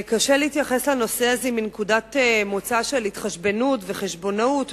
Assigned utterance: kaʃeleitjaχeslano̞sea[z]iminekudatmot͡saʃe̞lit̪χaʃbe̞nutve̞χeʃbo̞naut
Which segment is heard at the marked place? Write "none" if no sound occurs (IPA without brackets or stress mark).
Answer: z